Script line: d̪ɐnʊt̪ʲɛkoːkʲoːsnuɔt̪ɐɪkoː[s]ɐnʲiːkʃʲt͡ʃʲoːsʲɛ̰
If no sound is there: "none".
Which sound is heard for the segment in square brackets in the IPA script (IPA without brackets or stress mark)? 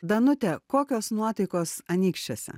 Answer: s